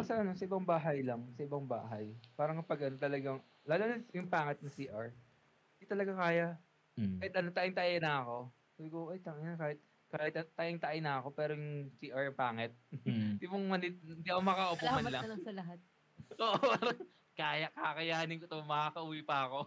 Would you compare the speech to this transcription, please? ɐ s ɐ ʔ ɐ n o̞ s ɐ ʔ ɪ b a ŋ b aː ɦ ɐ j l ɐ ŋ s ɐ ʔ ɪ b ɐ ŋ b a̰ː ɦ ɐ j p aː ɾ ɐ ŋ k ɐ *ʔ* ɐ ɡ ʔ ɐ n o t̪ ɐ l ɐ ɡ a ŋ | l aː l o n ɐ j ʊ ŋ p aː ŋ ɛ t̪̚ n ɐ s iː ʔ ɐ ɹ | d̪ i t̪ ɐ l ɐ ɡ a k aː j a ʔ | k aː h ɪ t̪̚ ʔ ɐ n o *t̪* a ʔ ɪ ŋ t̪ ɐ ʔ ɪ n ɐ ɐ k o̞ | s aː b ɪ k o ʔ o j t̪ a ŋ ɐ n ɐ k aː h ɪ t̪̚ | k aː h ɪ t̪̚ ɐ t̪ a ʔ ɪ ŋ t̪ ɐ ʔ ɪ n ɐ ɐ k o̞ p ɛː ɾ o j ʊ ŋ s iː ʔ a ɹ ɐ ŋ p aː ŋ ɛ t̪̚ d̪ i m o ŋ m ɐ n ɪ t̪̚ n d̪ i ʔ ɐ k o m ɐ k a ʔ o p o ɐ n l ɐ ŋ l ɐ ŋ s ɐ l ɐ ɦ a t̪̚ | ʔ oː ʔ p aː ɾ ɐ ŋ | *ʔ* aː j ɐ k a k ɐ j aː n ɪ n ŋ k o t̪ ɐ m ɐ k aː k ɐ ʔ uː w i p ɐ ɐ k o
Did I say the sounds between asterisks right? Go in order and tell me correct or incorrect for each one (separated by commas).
incorrect, correct, incorrect